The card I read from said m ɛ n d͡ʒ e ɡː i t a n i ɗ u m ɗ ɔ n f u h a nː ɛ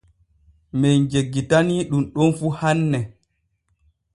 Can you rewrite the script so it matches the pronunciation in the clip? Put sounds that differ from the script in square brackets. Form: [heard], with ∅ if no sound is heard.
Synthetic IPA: m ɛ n d͡ʒ e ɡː i t a n i ɗ u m ɗ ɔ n f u h a nː ɛ